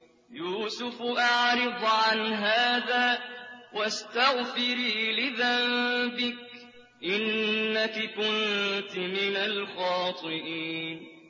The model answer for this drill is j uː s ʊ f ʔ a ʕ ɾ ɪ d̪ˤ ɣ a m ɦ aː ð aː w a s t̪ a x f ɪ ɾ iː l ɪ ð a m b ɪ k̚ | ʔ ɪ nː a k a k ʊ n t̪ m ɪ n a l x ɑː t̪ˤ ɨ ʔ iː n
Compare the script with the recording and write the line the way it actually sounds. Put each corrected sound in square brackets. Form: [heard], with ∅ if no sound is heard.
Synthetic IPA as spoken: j uː s ʊ f ʔ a ʕ ɾ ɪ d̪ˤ [ʕ] a [n] ɦ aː ð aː w a s t̪ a [ɣ] f ɪ ɾ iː l ɪ ð a m b ɪ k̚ | ʔ ɪ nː a k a k ʊ n t̪ m ɪ n a l x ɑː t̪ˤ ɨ ʔ iː n